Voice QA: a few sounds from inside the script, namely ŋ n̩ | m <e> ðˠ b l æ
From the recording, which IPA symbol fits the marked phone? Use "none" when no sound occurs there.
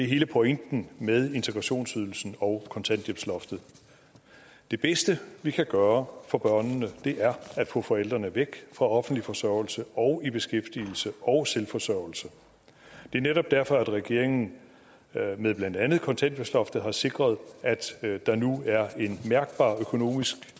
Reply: e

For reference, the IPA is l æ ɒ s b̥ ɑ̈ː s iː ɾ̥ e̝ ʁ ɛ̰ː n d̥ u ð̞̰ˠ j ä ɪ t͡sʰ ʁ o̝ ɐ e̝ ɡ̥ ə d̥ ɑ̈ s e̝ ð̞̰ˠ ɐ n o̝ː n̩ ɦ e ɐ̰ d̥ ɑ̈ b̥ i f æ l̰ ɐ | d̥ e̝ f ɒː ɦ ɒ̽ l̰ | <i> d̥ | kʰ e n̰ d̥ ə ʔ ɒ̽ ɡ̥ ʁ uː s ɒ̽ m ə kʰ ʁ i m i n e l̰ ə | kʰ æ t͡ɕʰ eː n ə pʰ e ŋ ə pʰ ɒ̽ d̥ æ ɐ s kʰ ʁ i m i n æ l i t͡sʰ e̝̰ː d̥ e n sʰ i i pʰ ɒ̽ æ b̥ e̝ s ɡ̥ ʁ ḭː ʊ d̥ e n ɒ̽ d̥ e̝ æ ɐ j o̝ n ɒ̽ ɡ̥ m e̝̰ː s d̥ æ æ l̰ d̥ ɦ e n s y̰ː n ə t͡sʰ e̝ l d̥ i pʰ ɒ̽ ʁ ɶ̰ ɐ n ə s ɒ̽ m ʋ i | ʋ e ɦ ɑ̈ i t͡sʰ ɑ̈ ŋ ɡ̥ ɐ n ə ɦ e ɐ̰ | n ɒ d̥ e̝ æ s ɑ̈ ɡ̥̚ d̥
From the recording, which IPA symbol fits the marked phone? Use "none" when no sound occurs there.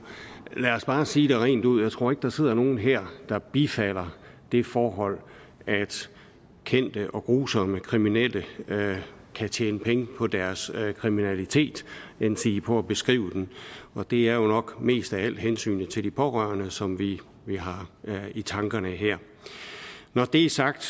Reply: æ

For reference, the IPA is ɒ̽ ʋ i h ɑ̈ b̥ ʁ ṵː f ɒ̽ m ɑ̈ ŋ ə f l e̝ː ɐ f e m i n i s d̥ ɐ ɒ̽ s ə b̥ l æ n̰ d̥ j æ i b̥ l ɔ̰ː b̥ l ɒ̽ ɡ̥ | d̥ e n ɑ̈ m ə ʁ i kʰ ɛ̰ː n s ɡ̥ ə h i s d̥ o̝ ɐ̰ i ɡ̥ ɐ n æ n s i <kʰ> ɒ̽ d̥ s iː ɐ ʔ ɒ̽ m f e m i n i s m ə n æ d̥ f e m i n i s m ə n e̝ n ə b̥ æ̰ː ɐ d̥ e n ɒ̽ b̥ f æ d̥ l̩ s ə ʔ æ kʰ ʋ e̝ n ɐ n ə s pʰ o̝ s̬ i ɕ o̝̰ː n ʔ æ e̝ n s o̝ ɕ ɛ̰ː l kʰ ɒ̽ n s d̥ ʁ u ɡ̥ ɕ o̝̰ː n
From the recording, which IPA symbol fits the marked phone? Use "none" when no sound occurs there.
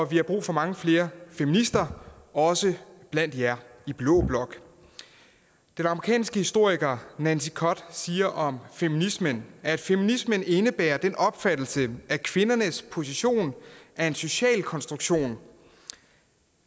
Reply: kʰ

